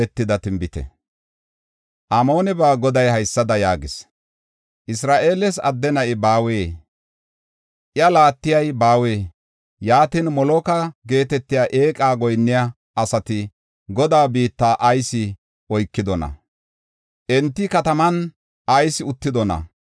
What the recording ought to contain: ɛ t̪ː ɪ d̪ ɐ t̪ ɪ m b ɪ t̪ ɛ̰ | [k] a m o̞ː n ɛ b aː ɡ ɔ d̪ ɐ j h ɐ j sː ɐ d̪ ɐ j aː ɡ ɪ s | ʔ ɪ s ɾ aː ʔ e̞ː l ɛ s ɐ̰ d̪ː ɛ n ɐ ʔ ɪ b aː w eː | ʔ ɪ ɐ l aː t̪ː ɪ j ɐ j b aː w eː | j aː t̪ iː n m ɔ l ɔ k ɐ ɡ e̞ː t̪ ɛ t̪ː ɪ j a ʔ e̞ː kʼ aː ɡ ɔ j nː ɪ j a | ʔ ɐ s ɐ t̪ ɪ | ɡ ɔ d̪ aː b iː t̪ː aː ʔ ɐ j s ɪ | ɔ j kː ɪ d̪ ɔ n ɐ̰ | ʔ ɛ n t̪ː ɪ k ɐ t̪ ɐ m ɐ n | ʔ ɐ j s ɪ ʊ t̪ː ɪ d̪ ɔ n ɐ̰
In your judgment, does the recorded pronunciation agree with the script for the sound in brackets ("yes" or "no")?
no